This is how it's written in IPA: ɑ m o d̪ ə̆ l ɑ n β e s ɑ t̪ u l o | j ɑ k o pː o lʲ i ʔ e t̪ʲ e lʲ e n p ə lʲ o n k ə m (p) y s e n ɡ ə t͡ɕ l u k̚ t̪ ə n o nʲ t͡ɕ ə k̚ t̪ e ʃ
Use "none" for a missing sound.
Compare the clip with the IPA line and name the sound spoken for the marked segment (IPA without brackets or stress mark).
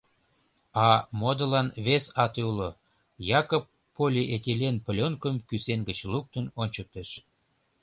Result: k